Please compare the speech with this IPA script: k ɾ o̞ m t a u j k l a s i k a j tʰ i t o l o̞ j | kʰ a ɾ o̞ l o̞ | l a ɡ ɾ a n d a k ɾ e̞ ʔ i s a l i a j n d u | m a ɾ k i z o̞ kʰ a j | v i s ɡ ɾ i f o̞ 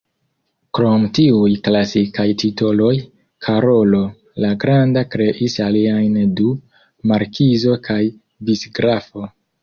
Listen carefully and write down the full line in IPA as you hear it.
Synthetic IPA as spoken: k ɾ o̞ m t i u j k l a s i k a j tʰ i t o l o̞ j | kʰ a ɾ o̞ l o̞ | l a ɡ ɾ a n d a k ɾ e̞ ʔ i s a l i a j n d u | m a ɾ k i z o̞ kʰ a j | b i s ɡ ɾ a f o̞